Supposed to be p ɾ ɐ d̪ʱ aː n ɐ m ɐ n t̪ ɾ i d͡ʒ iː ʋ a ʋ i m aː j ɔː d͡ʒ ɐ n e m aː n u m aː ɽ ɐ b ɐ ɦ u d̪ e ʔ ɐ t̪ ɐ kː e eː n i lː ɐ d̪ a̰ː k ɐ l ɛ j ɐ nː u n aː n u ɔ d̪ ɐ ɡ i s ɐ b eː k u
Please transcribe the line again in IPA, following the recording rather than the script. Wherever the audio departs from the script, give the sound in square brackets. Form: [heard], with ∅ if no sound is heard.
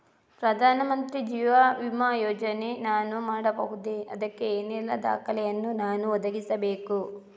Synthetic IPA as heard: p ɾ ɐ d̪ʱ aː n ɐ m ɐ n t̪ ɾ i d͡ʒ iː ʋ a ʋ i m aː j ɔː d͡ʒ ɐ n e [n] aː n u m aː ɽ ɐ b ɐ ɦ u d̪ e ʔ ɐ [d̪] ɐ kː e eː n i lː ɐ d̪ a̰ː k ɐ l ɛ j ɐ nː u n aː n u ɔ d̪ ɐ ɡ i s ɐ b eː k u

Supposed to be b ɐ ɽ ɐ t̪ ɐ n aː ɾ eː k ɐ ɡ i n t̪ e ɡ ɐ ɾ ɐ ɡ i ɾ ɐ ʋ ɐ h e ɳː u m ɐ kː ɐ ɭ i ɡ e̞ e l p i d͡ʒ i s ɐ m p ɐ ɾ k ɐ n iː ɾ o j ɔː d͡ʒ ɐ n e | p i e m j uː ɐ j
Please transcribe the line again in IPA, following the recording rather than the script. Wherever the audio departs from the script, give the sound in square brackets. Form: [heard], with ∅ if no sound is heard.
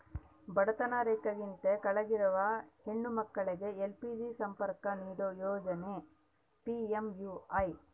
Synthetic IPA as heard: b ɐ ɽ ɐ t̪ ɐ n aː ɾ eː k ɐ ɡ i n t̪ e [k] ɐ [ɭ] ɐ ɡ i ɾ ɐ ʋ ɐ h e ɳː u m ɐ kː ɐ ɭ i ɡ e̞ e l p i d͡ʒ i s ɐ m p ɐ ɾ k ɐ n iː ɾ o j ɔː d͡ʒ ɐ n e | p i e m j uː ɐ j

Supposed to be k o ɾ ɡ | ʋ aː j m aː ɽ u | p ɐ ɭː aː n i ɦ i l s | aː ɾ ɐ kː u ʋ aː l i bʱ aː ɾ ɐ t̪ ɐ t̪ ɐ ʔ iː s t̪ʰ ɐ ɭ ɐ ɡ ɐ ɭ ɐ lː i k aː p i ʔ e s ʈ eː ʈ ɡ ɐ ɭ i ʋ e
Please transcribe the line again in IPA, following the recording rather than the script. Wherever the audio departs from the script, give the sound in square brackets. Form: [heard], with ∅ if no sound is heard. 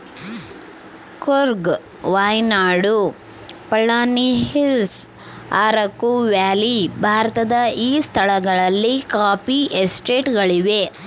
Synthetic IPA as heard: k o ɾ ɡ | ʋ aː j [n] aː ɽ u | p ɐ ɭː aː n i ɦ i l s | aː ɾ ɐ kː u ʋ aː l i bʱ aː ɾ ɐ t̪ ɐ [d̪] ɐ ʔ iː s t̪ʰ ɐ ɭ ɐ ɡ ɐ ɭ ɐ lː i k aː p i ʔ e s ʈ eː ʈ ɡ ɐ ɭ i ʋ e

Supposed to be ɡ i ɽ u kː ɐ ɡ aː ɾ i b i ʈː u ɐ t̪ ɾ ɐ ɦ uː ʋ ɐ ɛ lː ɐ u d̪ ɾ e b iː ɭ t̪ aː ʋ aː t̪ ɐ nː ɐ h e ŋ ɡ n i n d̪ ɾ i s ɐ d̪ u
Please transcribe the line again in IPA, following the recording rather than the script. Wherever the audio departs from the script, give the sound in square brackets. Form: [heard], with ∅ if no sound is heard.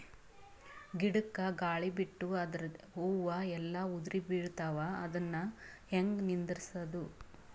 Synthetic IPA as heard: ɡ i ɽ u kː ɐ ɡ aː [ɭ] i b i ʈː u ɐ [d̪] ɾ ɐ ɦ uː ʋ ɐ ɛ lː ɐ u d̪ ɾ [i] b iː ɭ t̪ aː ʋ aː [d̪] ɐ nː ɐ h e ŋ ɡ n i n d̪ ɾ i s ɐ d̪ u

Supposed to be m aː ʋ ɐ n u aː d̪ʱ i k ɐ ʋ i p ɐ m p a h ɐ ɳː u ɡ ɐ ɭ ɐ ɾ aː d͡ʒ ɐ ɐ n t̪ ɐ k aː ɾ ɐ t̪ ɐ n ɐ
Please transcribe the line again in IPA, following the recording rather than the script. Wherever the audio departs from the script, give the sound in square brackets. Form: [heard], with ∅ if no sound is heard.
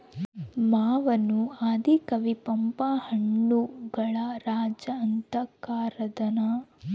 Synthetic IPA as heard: m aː ʋ ɐ n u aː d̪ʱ i k ɐ ʋ i p ɐ m p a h ɐ ɳː u ɡ ɐ ɭ ɐ ɾ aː d͡ʒ ɐ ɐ n t̪ ɐ k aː ɾ ɐ [d̪] ɐ n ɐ

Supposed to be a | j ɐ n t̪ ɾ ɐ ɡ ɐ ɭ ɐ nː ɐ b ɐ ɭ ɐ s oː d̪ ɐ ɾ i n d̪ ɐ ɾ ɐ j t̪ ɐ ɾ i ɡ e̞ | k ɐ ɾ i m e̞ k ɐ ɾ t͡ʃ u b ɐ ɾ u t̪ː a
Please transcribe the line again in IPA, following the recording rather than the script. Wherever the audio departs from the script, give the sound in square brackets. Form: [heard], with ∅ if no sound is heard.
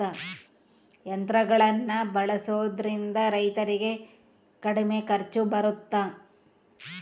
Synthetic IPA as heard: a | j ɐ n t̪ ɾ ɐ ɡ ɐ ɭ ɐ nː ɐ b ɐ ɭ ɐ s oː d̪ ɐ ɾ i n d̪ ɐ ɾ ɐ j t̪ ɐ ɾ i ɡ e̞ | k ɐ [ɽ] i m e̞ k ɐ ɾ t͡ʃ u b ɐ ɾ u t̪ː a

